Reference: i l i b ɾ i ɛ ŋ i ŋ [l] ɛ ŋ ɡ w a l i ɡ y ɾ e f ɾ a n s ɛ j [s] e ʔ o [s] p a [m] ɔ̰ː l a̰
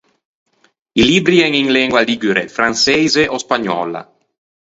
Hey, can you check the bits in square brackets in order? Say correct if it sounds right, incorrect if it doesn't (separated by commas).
correct, incorrect, correct, incorrect